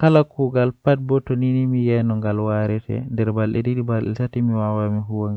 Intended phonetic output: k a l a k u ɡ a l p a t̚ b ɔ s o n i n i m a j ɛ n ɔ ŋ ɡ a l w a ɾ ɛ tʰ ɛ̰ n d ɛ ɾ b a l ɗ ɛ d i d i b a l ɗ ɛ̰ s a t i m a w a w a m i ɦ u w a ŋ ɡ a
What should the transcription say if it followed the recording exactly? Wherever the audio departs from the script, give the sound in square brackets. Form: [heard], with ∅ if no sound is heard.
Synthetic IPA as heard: k a l a k u ɡ a l p a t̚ b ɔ [t] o n i n i m [i] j ɛ n ɔ ŋ ɡ a l w a ɾ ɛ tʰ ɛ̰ n d ɛ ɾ b a l ɗ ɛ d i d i b a l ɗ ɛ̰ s a t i m [i] w a w a m i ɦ u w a ŋ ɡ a